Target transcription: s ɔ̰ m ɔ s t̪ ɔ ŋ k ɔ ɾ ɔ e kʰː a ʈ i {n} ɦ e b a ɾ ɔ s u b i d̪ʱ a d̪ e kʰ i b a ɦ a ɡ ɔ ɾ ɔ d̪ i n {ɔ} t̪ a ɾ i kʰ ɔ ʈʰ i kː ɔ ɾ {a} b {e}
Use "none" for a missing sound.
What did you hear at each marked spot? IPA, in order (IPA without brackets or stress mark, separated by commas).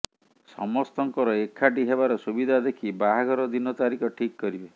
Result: none, ɔ, i, e